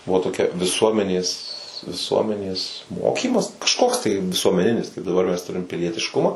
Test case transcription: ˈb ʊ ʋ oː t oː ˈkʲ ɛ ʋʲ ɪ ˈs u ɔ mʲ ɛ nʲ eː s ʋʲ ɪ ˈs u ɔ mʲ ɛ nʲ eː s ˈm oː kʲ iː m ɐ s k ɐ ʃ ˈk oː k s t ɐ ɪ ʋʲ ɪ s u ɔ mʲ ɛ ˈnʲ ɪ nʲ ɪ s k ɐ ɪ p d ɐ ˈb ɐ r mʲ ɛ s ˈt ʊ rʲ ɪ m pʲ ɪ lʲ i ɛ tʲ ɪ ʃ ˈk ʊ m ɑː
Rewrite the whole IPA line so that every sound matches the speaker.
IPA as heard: ˈb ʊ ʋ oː t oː ˈkʲ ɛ ʋʲ ɪ ˈs u ɔ mʲ ɛ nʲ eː s ʋʲ ɪ ˈs u ɔ mʲ ɛ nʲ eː s ˈm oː kʲ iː m ɐ s k ɐ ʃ ˈk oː k s t ɐ ɪ ʋʲ ɪ s u ɔ mʲ ɛ ˈnʲ ɪ nʲ ɪ s k ɐ ɪ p d ɐ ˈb ɐ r mʲ ɛ s ˈt ʊ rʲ ɪ m pʲ ɪ lʲ i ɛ tʲ ɪ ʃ ˈk ʊ m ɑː